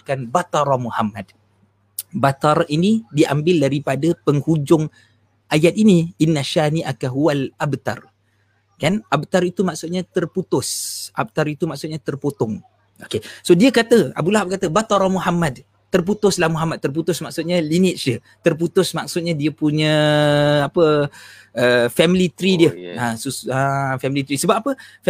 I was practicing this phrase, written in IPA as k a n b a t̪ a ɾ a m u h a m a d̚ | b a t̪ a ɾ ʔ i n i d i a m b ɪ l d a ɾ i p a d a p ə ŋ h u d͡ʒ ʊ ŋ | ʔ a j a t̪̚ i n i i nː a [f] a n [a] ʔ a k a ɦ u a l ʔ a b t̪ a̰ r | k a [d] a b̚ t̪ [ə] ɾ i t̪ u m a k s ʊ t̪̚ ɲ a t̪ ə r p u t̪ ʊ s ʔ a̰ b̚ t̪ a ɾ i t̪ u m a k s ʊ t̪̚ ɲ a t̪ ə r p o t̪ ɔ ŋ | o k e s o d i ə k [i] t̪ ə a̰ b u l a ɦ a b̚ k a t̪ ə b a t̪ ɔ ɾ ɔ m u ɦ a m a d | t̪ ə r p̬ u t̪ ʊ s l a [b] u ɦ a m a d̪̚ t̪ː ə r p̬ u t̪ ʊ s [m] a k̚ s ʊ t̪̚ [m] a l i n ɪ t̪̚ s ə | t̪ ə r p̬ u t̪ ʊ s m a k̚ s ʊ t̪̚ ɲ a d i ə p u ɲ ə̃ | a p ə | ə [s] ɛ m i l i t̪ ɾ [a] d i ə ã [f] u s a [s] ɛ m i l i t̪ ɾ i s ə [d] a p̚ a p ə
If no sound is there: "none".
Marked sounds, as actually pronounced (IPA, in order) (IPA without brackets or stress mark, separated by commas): ʃ, i, n, a, a, m, m, ɲ, f, i, s, f, b